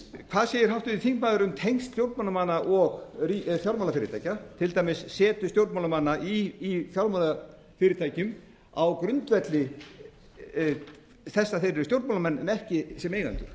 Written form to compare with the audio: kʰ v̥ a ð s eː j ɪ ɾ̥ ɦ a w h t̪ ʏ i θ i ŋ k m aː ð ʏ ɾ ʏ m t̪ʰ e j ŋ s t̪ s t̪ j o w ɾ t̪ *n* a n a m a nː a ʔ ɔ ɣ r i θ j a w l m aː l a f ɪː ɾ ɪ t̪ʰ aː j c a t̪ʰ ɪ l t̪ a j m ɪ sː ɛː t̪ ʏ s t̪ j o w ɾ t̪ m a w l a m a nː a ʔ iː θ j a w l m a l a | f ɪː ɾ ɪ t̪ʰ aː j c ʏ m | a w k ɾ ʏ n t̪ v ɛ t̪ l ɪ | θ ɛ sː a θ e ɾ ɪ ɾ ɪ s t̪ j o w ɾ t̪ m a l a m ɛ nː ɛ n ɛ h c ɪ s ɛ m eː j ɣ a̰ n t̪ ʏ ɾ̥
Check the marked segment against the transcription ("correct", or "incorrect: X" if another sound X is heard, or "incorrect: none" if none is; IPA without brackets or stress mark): incorrect: m